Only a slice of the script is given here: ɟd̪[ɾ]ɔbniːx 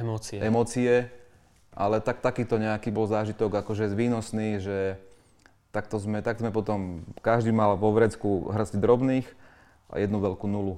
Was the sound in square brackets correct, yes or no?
yes